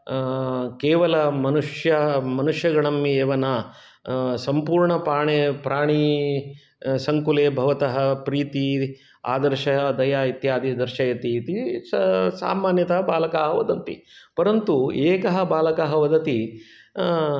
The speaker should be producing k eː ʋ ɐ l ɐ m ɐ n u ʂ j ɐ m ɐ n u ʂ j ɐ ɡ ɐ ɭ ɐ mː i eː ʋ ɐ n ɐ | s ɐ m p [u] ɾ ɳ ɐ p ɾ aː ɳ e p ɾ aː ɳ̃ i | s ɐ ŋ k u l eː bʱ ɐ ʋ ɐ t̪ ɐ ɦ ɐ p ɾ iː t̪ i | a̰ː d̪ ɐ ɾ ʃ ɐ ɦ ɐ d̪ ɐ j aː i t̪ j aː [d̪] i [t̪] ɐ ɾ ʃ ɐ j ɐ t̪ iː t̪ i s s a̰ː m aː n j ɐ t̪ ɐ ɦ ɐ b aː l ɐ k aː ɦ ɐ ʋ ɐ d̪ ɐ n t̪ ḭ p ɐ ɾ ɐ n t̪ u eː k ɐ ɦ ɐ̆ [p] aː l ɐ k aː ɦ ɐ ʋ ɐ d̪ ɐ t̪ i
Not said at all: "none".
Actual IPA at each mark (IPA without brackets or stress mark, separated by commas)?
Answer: uː, d̪, d̪, b